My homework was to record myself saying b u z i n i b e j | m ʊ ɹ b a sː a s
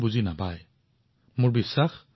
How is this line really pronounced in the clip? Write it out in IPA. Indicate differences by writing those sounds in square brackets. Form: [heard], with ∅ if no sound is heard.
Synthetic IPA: b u z i n [a] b [a] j | m ʊ ɹ b [i] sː a [x]